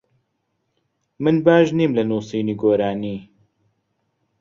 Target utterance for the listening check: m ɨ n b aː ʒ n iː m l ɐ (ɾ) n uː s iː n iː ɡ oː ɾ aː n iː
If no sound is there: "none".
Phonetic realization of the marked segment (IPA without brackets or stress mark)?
none